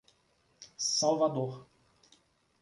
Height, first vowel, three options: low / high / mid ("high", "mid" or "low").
low